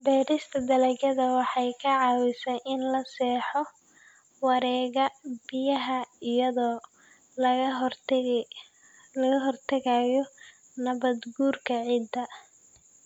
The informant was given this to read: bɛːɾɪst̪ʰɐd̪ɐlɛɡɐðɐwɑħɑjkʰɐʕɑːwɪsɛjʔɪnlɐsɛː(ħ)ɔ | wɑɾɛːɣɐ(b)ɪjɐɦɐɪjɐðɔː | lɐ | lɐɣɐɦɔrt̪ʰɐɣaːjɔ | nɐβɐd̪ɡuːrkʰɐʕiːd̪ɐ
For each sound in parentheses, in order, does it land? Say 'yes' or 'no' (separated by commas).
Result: yes, yes